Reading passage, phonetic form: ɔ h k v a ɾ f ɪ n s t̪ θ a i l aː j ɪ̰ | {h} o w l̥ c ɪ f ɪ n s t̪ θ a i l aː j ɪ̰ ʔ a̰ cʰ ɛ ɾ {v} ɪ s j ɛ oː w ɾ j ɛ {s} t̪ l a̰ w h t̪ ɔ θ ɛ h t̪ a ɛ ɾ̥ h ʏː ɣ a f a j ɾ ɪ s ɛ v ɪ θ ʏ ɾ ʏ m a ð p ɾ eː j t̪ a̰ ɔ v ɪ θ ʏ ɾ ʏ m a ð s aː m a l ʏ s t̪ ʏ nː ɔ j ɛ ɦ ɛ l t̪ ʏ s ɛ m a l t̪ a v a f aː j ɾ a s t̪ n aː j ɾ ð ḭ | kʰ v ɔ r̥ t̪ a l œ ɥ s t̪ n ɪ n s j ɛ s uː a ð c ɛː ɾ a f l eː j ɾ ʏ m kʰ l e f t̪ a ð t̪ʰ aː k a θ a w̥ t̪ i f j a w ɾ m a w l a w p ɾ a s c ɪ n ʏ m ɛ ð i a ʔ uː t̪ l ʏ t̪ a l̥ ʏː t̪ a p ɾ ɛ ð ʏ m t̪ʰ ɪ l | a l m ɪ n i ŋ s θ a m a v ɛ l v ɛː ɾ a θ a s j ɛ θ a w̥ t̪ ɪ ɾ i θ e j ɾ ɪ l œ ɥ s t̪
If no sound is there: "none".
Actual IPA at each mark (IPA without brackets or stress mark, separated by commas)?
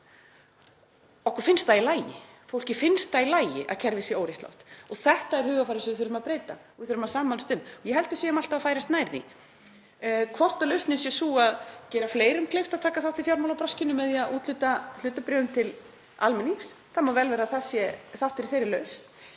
f, v, h